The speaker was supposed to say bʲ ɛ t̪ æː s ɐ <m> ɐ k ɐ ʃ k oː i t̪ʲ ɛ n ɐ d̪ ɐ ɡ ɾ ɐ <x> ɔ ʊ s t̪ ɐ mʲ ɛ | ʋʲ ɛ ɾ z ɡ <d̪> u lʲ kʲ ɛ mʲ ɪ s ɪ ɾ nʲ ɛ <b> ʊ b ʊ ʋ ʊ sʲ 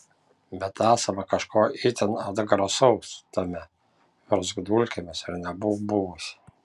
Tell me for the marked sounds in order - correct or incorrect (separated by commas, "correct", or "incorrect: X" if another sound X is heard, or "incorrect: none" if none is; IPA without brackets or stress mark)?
correct, incorrect: s, correct, correct